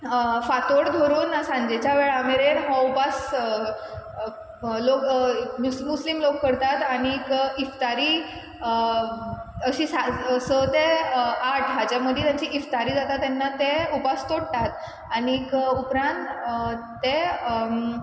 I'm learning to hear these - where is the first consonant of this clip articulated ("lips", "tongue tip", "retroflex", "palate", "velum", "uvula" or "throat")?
lips